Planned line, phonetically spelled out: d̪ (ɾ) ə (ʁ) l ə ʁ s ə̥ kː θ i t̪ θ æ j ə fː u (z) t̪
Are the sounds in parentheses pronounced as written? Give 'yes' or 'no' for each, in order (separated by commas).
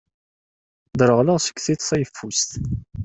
yes, yes, no